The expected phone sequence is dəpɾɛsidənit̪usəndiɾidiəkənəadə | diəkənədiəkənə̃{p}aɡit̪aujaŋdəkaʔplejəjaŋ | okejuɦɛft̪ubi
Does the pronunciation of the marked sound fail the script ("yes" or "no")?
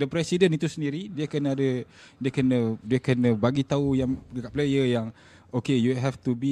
yes